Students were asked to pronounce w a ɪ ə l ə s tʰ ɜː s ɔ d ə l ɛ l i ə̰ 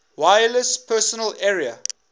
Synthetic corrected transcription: w a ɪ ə l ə s pʰ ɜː s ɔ n ə l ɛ ɹ i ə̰